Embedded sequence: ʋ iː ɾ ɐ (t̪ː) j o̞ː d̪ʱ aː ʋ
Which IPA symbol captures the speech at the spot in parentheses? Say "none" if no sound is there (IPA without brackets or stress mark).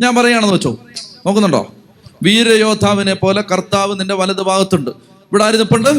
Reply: none